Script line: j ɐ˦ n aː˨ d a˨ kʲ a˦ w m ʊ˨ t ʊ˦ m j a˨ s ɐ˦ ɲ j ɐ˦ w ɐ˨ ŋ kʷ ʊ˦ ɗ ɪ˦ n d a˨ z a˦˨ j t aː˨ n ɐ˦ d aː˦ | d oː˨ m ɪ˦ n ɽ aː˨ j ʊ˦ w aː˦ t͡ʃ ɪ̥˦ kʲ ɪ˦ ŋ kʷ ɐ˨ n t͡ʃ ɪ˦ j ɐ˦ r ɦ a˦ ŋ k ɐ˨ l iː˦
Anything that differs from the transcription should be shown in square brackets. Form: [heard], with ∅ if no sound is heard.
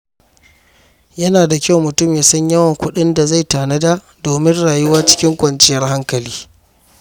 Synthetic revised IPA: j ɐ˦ n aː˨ d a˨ kʲ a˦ w m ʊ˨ t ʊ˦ m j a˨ s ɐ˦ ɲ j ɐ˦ w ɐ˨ ŋ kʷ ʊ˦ ɗ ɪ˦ n d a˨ z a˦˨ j t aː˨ n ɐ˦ d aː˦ | d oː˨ m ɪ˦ n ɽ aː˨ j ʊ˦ w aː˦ t͡ʃ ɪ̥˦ kʲ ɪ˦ ŋ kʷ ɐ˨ n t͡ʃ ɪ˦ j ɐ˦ r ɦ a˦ ŋ k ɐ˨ l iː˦